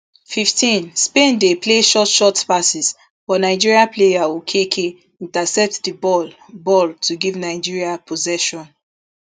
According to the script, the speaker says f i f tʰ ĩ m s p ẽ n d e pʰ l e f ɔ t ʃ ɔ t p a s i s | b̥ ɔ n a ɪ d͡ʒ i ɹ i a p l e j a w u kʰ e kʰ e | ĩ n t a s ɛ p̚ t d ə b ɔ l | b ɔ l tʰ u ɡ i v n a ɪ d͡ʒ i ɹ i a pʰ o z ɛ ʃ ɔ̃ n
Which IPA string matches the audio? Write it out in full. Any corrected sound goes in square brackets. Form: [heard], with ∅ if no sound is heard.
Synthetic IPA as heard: f i f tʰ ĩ [n] s p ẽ n d e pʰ l e [ʃ] ɔ t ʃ ɔ t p a s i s | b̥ ɔ n a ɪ d͡ʒ i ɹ i a p l e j a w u kʰ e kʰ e | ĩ n t a s ɛ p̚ t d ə b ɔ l | b ɔ l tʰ u ɡ i v n a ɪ d͡ʒ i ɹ i a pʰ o z ɛ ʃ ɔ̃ n